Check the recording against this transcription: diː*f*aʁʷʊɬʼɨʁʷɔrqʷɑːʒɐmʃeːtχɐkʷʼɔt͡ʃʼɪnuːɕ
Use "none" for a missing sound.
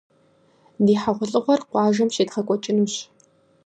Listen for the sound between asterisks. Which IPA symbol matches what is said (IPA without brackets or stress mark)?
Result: ħ